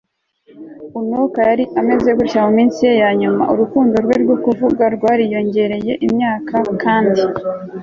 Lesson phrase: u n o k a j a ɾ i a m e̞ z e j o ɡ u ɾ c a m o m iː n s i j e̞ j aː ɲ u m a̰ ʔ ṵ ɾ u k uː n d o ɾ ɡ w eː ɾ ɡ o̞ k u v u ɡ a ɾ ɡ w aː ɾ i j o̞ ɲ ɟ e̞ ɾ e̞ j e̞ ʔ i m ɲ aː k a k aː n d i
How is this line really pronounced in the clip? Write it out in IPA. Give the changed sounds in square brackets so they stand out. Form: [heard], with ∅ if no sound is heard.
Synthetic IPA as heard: u n o k a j a ɾ i a m e̞ z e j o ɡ u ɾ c a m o m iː n s i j e̞ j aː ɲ u m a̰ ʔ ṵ ɾ u k uː n d o ɾ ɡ w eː ɾ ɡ o̞ k u v u ɡ a ɾ ɡ w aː ɾ i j o̞ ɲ ɟ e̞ ɾ e̞ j e̞ ʔ i m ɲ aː k a k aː n d i